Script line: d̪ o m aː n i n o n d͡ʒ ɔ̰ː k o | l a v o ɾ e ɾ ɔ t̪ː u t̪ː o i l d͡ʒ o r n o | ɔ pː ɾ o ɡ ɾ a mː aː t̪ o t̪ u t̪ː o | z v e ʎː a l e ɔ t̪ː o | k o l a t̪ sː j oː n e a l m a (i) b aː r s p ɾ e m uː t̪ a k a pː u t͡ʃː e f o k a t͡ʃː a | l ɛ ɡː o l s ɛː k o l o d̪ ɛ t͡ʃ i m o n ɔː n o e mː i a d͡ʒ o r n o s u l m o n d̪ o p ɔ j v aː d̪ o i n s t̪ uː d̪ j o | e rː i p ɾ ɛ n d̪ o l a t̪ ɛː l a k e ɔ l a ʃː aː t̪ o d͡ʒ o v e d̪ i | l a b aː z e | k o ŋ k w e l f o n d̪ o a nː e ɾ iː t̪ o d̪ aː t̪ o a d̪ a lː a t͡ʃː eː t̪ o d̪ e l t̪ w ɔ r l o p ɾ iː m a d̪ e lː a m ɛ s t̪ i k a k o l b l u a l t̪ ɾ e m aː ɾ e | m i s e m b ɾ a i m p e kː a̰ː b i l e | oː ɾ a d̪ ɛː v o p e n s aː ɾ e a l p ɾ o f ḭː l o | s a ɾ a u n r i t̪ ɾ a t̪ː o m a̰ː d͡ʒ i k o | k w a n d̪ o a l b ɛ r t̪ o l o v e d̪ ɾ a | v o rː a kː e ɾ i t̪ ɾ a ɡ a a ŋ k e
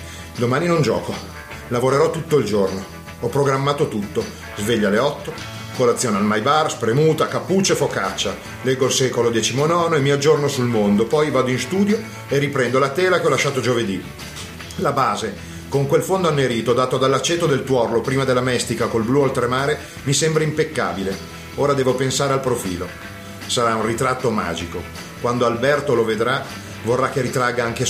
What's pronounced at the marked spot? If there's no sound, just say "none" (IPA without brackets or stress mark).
j